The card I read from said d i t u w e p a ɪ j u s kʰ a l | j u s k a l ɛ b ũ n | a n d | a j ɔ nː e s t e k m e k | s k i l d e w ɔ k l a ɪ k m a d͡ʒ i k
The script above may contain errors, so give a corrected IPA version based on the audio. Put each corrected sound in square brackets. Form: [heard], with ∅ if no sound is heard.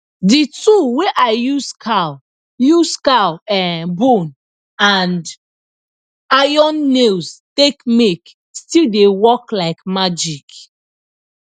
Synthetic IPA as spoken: d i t u w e [ʔ] a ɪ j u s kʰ a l | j u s k a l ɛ b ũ n | a n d | a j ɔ nː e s t e k m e k | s [t] i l d e w ɔ k l a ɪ k m a d͡ʒ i k